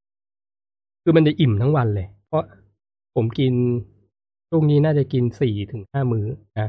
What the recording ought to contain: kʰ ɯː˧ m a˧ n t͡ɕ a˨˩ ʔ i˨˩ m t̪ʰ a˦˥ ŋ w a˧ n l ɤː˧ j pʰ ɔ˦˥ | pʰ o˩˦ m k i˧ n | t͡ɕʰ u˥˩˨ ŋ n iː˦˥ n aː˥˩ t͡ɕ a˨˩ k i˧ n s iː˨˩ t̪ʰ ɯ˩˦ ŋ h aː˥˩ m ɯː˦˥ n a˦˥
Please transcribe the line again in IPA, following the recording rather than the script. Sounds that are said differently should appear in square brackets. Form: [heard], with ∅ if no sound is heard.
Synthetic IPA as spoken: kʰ ɯː˧ m a˧ n t͡ɕ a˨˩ ʔ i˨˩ m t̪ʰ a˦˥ ŋ w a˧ n l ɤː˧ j pʰ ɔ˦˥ | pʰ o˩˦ m k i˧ n | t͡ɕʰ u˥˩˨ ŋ n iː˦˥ n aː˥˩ t͡ɕ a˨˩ k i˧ n s iː˨˩ t̪ʰ ɯ˩˦ ŋ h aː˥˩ m ɯː˦˥ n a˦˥